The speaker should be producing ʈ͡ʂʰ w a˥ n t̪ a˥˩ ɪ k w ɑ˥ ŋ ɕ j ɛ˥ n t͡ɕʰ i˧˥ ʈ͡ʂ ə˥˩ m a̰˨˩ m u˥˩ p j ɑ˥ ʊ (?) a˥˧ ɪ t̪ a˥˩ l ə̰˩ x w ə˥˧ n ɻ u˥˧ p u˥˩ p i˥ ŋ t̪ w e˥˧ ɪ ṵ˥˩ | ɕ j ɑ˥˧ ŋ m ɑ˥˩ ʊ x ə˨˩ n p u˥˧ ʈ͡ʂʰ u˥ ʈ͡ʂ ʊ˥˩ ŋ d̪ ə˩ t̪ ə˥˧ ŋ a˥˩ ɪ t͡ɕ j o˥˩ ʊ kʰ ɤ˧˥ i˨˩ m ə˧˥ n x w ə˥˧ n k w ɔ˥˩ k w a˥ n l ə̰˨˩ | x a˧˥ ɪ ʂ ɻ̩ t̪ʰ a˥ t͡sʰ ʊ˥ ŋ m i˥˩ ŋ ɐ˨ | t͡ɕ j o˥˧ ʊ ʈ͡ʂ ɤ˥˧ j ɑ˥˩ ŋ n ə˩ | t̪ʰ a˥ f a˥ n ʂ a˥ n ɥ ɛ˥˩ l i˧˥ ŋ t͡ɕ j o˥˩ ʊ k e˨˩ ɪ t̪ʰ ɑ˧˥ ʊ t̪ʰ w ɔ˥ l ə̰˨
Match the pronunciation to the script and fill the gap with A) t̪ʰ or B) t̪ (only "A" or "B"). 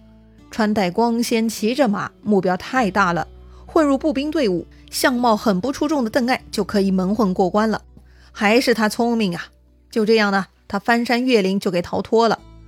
A